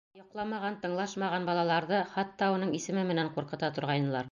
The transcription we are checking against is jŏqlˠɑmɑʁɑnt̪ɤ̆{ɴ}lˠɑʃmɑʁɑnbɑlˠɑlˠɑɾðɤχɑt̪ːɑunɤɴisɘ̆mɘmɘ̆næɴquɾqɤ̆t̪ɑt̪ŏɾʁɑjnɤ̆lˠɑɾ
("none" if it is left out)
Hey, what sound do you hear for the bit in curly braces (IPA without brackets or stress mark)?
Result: ɴ